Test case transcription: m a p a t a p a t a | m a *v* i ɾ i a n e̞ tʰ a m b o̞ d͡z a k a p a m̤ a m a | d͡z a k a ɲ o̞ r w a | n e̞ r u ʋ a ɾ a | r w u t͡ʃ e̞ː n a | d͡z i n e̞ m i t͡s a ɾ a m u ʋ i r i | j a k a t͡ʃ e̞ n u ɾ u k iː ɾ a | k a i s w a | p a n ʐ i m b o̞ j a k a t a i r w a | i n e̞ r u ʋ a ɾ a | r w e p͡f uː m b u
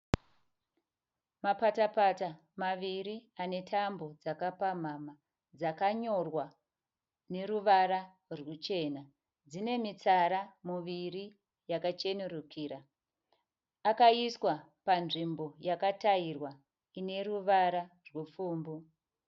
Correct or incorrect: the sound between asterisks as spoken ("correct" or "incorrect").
incorrect